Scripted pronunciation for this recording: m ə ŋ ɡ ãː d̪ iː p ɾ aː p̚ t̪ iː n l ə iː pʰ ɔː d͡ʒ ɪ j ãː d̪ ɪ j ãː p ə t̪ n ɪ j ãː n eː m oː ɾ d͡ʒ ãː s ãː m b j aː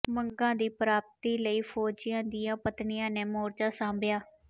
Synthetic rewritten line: m ə ŋ ɡ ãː d̪ iː p ɾ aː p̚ t̪ iː l ə iː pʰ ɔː d͡ʒ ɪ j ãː d̪ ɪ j ãː p ə t̪ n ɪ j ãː n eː m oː ɾ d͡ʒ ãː s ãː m b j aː